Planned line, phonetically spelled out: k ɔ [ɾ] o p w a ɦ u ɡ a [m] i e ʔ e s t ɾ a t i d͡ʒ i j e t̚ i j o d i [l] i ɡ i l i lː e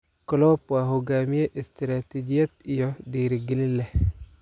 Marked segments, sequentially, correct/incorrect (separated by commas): incorrect, correct, incorrect